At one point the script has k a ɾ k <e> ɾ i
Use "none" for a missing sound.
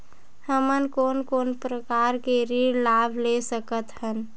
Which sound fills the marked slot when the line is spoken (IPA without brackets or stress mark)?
e